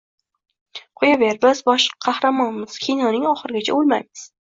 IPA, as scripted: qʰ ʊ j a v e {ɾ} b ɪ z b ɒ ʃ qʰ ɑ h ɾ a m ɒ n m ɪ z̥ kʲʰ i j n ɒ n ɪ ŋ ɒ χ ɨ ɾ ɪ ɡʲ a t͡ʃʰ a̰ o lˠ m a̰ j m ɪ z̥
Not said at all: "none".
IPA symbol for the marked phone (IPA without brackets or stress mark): ɾ